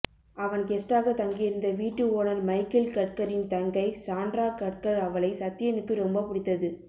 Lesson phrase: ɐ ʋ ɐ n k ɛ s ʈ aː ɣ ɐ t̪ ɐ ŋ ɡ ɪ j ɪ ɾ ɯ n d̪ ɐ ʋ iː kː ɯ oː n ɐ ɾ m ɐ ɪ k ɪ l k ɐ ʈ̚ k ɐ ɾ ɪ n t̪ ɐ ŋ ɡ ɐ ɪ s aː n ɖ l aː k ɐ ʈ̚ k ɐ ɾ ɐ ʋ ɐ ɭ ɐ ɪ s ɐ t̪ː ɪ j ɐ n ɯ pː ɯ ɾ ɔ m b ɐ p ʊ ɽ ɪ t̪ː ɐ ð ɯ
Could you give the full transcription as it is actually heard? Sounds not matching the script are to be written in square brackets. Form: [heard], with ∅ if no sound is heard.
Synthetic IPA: ɐ ʋ ɐ n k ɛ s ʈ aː ɣ ɐ t̪ ɐ ŋ ɡ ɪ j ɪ ɾ ɯ n d̪ ɐ ʋ iː [ʈː] ɯ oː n ɐ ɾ m ɐ ɪ k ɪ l k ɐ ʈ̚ k ɐ ɾ ɪ n t̪ ɐ ŋ ɡ ɐ ɪ s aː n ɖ [ɾ] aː k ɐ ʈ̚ k ɐ ɾ ɐ ʋ ɐ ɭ ɐ ɪ s ɐ t̪ː ɪ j ɐ n ɯ [kː] ɯ ɾ ɔ m b ɐ p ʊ ɽ ɪ t̪ː ɐ ð ɯ